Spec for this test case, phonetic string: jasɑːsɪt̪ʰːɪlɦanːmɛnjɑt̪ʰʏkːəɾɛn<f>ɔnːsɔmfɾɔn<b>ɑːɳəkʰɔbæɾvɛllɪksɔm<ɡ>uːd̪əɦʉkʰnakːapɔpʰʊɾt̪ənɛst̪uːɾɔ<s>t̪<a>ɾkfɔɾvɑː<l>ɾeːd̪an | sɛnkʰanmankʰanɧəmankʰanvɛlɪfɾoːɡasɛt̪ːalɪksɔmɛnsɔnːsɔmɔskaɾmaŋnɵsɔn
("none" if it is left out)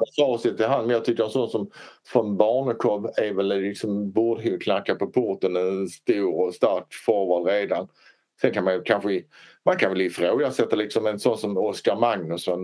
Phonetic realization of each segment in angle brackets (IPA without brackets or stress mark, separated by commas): s, b, b, s, a, l